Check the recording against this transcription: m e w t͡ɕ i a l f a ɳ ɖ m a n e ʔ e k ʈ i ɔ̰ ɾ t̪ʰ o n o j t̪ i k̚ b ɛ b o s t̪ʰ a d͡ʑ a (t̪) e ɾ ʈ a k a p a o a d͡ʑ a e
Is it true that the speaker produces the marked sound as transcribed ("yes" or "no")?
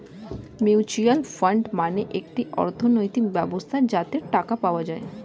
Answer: yes